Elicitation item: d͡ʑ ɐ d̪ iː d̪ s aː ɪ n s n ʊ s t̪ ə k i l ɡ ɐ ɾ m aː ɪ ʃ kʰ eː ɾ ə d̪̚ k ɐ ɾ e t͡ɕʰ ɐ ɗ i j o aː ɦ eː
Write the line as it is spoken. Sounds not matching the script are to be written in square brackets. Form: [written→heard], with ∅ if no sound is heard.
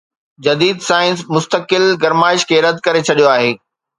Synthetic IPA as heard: d͡ʑ ɐ d̪ iː d̪ s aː ɪ n s [n→m] ʊ s t̪ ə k [i→ɪ] l ɡ ɐ ɾ m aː ɪ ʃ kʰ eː ɾ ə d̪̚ k ɐ ɾ e t͡ɕʰ ɐ ɗ i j o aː ɦ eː